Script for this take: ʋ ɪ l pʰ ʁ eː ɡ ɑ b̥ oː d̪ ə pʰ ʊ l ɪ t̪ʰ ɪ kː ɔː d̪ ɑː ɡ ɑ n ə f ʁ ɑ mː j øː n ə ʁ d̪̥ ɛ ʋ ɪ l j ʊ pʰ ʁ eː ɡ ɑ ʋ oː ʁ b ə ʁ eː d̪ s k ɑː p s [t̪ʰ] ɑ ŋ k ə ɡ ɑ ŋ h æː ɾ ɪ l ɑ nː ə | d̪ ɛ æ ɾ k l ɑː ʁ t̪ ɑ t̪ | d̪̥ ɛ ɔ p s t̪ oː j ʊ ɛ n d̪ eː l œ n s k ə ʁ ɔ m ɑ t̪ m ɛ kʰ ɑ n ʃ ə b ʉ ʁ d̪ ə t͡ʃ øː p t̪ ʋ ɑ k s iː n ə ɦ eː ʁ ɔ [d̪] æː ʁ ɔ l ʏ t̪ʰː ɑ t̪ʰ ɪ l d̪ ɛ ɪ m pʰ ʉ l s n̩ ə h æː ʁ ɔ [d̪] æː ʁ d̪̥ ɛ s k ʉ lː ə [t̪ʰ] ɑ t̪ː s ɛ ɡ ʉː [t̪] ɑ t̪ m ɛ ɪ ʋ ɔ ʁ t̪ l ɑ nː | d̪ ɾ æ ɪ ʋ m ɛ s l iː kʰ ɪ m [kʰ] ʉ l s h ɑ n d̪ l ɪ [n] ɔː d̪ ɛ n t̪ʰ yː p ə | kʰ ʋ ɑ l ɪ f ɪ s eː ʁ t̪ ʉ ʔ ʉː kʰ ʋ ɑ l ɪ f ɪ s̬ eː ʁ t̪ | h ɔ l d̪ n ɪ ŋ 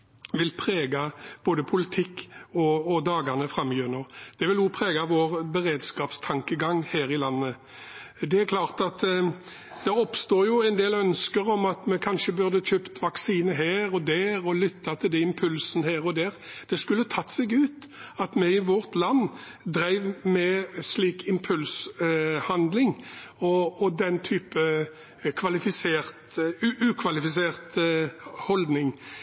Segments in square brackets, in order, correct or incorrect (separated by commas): correct, correct, correct, correct, correct, incorrect, incorrect